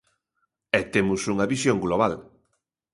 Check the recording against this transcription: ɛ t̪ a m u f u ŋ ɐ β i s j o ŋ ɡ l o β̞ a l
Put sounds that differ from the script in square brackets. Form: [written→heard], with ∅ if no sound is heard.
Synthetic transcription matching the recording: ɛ t̪ [a→e] m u [f→s] u ŋ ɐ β i s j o ŋ ɡ l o β̞ a l